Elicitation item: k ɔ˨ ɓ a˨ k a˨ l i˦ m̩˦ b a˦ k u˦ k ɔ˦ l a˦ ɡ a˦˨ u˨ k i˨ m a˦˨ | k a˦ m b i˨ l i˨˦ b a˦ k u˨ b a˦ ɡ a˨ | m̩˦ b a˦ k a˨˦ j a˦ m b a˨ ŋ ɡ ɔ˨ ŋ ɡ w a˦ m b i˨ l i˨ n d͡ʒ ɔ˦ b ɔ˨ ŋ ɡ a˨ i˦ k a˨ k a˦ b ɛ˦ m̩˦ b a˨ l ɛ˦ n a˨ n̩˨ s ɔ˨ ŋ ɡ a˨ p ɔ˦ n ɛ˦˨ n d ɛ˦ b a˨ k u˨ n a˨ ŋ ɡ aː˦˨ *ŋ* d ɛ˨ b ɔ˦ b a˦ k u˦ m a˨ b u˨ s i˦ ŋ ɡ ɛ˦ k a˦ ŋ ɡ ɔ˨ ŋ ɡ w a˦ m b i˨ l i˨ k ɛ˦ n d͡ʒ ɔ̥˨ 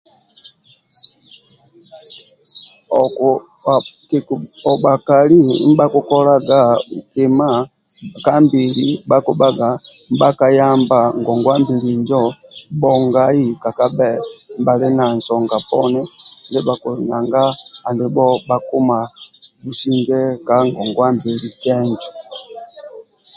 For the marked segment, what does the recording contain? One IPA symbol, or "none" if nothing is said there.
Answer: n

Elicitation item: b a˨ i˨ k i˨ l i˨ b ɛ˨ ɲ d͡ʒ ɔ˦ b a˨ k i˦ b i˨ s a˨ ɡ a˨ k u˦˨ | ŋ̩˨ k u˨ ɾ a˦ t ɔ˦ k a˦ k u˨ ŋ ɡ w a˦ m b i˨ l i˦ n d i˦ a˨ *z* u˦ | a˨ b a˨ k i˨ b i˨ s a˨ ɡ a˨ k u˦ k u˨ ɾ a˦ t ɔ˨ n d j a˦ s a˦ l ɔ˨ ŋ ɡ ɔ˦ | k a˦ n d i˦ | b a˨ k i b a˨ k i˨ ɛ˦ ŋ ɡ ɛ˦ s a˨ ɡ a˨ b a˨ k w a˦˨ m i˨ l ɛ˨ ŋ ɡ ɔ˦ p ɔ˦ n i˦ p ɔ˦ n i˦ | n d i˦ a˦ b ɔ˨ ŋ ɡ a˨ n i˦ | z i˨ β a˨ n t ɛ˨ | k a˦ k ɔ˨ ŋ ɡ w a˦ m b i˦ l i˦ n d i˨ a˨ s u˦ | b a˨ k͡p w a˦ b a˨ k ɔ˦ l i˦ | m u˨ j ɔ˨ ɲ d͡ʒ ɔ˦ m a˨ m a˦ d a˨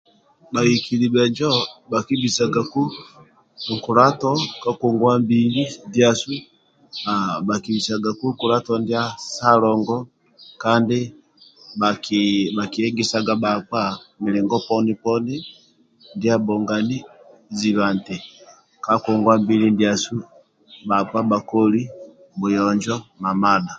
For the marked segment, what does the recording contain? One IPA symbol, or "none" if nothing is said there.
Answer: s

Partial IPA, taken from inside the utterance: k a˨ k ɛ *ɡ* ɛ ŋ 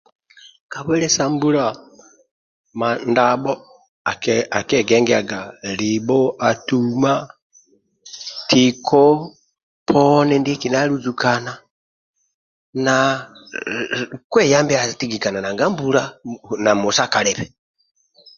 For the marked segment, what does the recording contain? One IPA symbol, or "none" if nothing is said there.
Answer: ɡ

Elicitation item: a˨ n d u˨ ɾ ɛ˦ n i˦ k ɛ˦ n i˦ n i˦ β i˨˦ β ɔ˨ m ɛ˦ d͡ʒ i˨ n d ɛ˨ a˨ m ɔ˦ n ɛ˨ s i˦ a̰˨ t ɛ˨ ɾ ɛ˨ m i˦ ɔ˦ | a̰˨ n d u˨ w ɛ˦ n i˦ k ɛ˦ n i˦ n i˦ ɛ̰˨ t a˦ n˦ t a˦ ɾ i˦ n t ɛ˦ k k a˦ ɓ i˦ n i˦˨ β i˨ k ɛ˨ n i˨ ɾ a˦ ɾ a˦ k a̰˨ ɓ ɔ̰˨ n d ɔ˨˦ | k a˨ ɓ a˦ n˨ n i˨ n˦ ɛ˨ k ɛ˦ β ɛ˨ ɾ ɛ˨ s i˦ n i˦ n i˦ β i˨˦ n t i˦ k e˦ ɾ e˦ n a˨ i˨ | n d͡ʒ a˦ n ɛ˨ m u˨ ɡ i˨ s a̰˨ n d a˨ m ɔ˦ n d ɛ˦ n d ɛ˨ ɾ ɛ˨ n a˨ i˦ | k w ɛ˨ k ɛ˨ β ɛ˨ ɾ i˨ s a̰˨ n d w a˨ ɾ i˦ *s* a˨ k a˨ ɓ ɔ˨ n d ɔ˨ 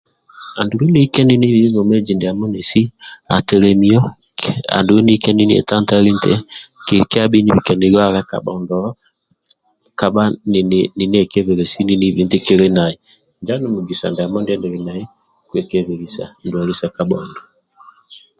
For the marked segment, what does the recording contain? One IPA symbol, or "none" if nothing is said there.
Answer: s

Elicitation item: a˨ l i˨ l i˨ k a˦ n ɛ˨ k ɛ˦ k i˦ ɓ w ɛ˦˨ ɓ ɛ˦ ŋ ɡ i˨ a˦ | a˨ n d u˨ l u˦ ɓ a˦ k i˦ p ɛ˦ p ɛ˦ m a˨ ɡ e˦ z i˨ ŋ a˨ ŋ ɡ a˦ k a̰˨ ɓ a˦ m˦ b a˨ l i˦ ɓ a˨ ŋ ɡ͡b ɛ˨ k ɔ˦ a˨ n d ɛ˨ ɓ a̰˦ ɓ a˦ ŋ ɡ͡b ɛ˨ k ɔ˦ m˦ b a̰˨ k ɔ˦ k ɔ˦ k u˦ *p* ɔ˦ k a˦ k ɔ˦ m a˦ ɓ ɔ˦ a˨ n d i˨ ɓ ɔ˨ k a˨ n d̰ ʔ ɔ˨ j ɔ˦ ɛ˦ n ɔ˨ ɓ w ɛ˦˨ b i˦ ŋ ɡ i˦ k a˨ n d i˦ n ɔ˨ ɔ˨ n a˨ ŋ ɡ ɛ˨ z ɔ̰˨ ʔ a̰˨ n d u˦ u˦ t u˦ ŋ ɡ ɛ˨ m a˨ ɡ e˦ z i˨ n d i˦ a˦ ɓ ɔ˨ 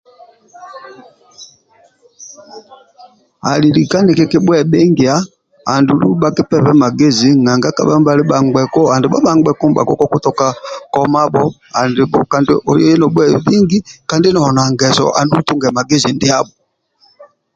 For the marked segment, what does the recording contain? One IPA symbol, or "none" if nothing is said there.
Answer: t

